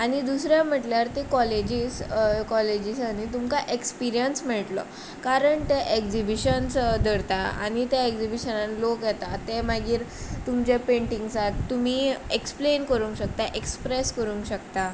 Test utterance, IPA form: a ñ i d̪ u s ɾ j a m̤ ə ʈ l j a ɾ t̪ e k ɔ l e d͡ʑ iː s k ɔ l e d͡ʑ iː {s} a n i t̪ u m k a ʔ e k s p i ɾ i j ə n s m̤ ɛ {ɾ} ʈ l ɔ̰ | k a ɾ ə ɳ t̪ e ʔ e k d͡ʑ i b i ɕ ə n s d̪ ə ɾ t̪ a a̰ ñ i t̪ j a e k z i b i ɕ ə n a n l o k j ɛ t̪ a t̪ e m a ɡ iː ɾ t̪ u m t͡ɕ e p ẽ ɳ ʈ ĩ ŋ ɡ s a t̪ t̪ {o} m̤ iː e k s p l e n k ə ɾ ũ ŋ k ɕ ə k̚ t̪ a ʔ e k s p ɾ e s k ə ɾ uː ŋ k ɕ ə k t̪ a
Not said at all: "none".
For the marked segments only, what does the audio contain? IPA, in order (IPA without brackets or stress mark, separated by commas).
s, ɭ, u